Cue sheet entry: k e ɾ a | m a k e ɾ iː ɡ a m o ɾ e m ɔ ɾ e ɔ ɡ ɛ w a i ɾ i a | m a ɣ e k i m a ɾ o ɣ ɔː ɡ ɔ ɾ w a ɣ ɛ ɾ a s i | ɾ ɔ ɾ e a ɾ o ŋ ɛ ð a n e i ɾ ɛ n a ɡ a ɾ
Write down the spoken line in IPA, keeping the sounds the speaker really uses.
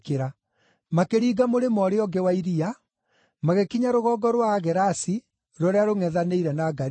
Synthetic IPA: k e ɾ a | m a k e ɾ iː ɡ a m o ɾ e m ɔ ɾ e ɔ ɡ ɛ w a i ɾ i a | m a ɣ e k i ɲ a ɾ o ɣ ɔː ɡ ɔ ɾ w a ɣ ɛ ɾ a s i | ɾ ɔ ɾ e a ɾ o ŋ ɛ ð a n e i ɾ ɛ n a ɡ a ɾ